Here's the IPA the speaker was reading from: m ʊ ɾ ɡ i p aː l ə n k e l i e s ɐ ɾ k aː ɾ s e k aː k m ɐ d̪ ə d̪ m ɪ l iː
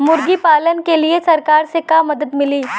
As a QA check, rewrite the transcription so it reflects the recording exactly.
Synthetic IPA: m ʊ ɾ ɡ i p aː l ə n k e l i e s ɐ ɾ k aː ɾ s e k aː m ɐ d̪ ə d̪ m ɪ l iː